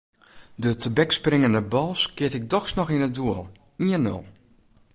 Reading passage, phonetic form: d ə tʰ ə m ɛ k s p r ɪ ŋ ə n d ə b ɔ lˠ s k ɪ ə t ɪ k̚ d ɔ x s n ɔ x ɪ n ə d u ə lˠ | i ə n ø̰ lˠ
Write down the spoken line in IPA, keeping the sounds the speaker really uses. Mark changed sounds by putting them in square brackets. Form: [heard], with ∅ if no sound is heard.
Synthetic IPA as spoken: d ə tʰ ə [b] ɛ k s p r ɪ ŋ ə n d ə b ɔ lˠ s k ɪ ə t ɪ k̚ d ɔ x s n ɔ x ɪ n ə d u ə lˠ | i ə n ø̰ lˠ